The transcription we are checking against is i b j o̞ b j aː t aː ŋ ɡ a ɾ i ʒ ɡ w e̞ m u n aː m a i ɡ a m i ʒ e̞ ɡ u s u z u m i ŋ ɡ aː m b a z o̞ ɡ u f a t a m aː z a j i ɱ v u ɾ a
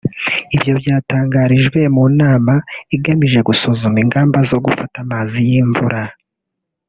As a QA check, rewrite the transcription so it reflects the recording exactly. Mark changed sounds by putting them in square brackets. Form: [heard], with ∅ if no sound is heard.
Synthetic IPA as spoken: i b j o̞ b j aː t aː ŋ ɡ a ɾ i ʒ ɡ w e̞ m u n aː m a i ɡ a m i ʒ e̞ ɡ u s u z u m i ŋ ɡ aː m b a z o̞ ɡ u f a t a m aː z [i] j i ɱ v u ɾ a